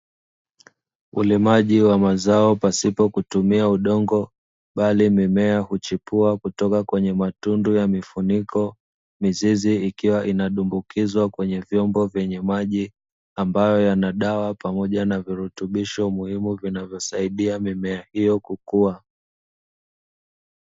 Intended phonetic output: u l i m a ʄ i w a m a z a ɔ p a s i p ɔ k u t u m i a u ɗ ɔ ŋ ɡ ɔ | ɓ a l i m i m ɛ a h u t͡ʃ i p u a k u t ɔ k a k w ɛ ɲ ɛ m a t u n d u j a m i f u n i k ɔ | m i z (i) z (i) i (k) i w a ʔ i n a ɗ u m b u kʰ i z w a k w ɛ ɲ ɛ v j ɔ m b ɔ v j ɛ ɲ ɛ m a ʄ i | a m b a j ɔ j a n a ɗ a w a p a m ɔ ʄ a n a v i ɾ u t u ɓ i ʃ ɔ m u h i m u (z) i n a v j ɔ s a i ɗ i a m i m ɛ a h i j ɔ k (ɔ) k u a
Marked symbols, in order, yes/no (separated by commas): yes, yes, yes, no, no